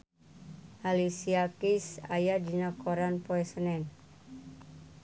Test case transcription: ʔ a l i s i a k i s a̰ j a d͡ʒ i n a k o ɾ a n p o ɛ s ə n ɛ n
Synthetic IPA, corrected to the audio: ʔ a l i s i a k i s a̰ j a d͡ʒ i n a k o ɾ a n p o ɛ s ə n ɛ n